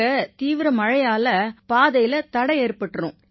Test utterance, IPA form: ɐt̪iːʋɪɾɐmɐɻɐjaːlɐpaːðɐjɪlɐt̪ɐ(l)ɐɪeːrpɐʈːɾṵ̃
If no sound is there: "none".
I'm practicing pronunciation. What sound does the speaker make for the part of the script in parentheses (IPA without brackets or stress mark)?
ɽ